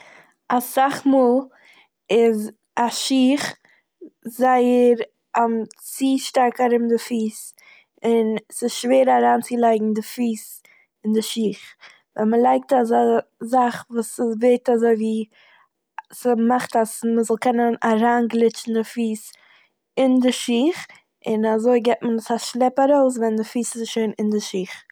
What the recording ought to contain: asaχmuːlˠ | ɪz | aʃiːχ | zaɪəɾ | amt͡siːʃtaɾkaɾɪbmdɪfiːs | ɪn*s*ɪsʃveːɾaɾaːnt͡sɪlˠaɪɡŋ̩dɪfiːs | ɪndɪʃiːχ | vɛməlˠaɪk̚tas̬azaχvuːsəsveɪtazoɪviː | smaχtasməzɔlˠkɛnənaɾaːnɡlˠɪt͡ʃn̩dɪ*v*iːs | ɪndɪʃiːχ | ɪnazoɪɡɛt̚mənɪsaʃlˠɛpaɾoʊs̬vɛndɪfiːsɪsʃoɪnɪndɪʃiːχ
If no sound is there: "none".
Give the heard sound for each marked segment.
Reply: s, f

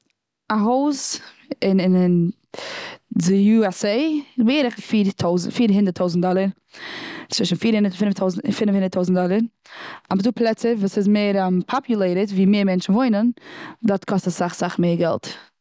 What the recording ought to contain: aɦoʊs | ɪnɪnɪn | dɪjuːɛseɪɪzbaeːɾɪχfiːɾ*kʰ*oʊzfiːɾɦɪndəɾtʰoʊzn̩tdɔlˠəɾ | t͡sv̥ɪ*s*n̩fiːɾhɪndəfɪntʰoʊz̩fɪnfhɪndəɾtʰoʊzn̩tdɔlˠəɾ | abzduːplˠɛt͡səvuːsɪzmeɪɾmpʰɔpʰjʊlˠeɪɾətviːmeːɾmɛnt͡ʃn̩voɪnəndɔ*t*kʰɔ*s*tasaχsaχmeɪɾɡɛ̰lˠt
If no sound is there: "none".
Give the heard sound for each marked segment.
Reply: tʰ, ʃ, t, s

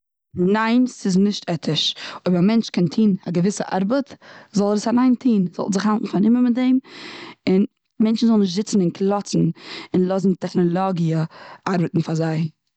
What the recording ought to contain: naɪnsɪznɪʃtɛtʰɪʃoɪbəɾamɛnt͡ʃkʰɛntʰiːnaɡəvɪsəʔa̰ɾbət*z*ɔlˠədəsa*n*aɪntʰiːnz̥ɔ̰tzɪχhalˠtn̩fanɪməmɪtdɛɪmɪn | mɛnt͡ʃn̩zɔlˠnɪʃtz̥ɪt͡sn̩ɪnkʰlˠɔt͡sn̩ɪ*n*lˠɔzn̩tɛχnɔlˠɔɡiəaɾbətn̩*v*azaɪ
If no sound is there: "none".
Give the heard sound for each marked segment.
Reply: z, n, n, f

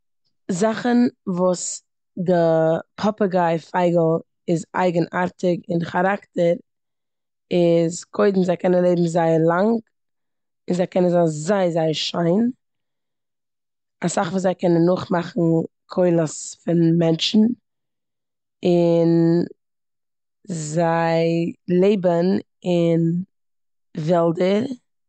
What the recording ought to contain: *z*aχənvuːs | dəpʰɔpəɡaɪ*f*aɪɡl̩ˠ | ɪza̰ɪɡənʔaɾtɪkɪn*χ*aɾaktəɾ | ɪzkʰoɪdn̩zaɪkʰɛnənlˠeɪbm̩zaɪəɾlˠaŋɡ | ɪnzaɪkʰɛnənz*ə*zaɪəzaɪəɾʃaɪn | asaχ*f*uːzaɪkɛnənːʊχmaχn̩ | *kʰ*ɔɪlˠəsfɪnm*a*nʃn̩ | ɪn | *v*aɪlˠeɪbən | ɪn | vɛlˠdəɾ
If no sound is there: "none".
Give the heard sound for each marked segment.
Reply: z, f, χ, a, v, kʰ, ɛ, z

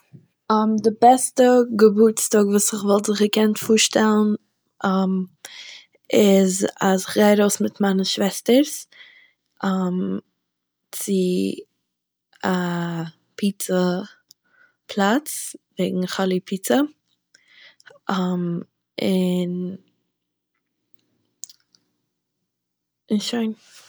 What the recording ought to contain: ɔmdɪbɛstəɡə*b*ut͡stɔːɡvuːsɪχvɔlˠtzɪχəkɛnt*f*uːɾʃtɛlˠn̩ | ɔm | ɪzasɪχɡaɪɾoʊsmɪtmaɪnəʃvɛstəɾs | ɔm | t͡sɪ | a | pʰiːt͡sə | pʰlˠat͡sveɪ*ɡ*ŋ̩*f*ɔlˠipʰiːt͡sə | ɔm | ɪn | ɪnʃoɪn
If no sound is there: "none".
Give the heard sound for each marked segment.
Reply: b, f, ɡ, χ

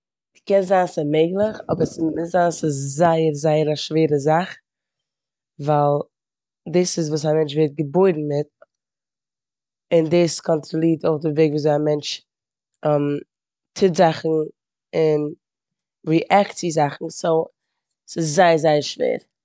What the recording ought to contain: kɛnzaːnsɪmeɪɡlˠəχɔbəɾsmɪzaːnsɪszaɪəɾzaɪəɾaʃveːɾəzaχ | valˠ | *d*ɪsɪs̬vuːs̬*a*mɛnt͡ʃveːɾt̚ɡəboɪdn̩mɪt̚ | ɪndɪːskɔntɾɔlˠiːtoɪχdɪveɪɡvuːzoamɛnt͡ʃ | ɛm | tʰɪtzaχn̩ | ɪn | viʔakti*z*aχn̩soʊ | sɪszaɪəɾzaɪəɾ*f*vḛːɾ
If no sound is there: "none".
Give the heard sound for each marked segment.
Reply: d, a, z, ʃ

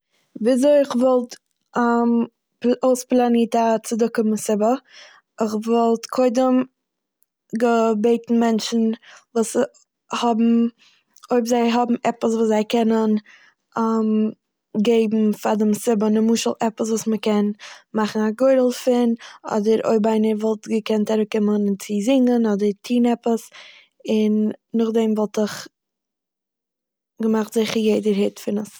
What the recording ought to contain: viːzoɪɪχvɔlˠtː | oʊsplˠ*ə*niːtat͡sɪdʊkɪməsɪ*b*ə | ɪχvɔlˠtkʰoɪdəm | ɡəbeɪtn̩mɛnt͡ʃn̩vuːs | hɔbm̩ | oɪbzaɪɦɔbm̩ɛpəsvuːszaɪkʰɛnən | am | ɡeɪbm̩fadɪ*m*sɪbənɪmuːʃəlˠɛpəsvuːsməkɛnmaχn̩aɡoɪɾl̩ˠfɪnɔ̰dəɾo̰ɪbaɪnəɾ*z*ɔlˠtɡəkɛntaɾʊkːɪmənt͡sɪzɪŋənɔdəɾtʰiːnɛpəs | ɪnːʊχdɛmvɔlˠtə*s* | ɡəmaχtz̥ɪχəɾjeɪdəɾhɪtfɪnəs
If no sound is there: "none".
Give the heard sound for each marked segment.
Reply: a, b, m, v, χ

